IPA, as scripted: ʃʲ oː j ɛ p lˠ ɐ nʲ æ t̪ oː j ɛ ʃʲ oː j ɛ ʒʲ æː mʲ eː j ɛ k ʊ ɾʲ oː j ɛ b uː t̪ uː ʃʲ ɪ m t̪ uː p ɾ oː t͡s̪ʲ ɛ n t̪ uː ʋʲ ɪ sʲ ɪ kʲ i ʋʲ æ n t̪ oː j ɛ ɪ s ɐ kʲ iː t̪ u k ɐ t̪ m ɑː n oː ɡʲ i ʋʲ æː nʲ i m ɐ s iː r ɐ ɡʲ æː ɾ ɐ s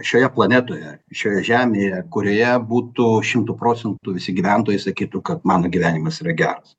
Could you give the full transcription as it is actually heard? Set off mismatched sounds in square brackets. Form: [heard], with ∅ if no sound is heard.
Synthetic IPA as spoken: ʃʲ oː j ɛ p lˠ ɐ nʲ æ t̪ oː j ɛ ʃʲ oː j ɛ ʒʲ æː mʲ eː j ɛ k ʊ ɾʲ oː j ɛ b uː t̪ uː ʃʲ ɪ m t̪ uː p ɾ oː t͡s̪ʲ ɛ n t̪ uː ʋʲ ɪ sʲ ɪ [ɡʲ] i ʋʲ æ n t̪ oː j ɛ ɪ s ɐ kʲ iː t̪ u k ɐ t̪ m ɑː n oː ɡʲ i ʋʲ æː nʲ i m ɐ s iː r ɐ ɡʲ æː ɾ ɐ s